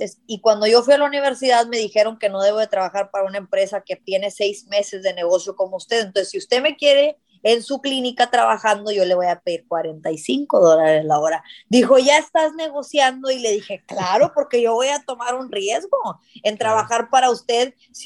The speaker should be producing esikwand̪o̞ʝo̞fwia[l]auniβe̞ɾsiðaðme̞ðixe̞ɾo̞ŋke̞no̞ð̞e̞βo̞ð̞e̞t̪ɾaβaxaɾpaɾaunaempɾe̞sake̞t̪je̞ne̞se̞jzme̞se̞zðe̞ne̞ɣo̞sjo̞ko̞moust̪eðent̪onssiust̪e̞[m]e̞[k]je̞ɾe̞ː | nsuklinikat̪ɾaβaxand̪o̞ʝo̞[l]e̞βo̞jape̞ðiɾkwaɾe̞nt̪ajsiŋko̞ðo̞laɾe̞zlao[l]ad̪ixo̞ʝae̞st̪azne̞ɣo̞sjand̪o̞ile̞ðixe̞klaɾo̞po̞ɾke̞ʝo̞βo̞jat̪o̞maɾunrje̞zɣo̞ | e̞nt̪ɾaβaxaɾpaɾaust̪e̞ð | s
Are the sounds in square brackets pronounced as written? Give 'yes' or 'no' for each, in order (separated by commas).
yes, yes, yes, yes, no